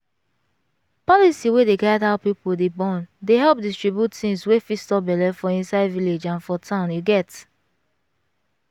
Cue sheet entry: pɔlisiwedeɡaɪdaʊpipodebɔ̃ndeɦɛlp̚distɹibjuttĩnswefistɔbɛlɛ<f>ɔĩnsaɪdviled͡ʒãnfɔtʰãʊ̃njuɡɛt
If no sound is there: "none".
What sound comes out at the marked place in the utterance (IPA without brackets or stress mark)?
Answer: f